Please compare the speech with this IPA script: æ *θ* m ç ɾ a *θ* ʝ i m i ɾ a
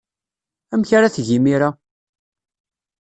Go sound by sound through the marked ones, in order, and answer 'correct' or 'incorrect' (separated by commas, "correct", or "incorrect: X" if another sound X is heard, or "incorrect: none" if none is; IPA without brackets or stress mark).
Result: incorrect: none, correct